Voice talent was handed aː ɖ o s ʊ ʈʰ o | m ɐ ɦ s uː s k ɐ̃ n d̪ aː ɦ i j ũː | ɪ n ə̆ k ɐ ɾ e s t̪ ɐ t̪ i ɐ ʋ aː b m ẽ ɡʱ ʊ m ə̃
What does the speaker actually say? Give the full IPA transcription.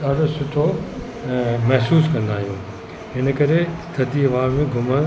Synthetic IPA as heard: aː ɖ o s ʊ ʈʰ o | m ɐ ɦ s uː s k ɐ̃ n d̪ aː ɦ i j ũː | ɪ n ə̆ k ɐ ɾ e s t̪ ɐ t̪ i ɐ ʋ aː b m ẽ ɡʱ ʊ m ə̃